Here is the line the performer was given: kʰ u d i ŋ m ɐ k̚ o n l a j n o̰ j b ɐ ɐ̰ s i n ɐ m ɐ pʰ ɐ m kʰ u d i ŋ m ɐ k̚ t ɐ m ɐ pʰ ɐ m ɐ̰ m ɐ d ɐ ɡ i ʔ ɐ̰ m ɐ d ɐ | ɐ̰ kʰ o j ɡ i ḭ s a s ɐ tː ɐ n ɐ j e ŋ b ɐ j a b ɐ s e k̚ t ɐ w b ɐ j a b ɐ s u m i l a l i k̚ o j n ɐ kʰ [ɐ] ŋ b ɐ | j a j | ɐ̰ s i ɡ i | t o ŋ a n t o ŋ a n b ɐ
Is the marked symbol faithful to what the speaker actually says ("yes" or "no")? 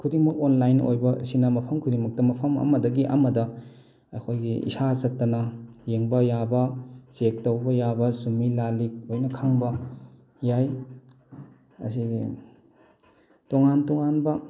no